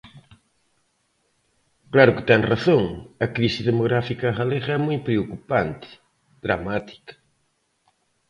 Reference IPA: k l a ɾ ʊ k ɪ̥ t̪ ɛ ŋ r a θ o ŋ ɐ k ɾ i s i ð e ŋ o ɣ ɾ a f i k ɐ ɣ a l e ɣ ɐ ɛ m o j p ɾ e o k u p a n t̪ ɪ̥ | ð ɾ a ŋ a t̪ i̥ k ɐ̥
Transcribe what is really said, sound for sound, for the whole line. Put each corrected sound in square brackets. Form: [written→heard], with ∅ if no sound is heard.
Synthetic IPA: k l a ɾ ʊ k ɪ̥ t̪ ɛ ŋ r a θ o ŋ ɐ k ɾ i s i ð e [ŋ→m] o ɣ ɾ a f i k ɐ ɣ a l e ɣ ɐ ɛ m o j p ɾ e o k u p a n t̪ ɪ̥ | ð ɾ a [ŋ→m] a t̪ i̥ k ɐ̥